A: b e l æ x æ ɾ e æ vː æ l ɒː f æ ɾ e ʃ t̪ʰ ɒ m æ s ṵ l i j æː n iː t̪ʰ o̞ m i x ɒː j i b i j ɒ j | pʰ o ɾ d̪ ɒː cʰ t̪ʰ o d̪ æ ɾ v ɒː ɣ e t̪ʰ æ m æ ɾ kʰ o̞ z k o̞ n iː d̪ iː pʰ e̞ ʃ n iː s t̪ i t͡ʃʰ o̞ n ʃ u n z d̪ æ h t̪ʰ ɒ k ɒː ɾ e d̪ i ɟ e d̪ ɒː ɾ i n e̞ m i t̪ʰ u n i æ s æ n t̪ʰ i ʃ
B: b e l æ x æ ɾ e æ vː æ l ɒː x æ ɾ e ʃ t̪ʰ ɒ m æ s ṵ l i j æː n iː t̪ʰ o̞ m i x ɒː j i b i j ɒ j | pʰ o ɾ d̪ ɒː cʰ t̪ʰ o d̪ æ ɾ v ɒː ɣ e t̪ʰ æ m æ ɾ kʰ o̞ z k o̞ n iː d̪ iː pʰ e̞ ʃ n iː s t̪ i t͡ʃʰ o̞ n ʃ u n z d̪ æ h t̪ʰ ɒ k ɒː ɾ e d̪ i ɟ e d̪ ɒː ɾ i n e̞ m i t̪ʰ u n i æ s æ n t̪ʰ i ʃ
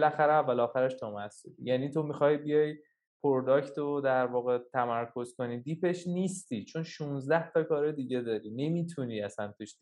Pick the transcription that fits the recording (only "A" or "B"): B